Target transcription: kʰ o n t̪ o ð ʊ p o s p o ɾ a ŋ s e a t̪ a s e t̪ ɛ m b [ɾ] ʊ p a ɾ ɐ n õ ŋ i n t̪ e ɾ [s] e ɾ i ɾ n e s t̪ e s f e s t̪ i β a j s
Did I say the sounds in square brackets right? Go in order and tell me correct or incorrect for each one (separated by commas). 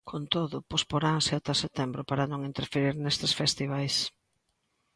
correct, incorrect